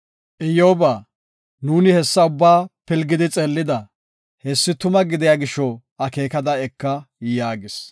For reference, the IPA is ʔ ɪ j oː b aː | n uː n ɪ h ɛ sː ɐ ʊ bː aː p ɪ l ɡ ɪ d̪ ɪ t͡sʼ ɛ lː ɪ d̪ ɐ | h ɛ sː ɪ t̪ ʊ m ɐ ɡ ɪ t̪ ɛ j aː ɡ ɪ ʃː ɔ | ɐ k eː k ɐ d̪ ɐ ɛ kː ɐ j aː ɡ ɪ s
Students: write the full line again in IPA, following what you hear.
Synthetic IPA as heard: ʔ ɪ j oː b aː | n uː n ɪ h ɛ sː ɐ ʊ bː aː p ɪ l ɡ ɪ d̪ ɪ t͡sʼ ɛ lː ɪ d̪ ɐ | h ɛ sː ɪ t̪ ʊ m ɐ ɡ ɪ d̪ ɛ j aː ɡ ɪ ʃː ɔ | ɐ k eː k ɐ d̪ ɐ ɛ kː ɐ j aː ɡ ɪ s